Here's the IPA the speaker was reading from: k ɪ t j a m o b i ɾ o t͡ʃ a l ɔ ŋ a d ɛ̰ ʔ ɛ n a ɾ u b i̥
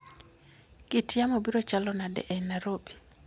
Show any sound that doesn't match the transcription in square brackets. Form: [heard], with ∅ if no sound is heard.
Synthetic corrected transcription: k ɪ t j a m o b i ɾ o t͡ʃ a l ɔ [n] a d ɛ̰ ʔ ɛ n a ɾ [o] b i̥